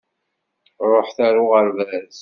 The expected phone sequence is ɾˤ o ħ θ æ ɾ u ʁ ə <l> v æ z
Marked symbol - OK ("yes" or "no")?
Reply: no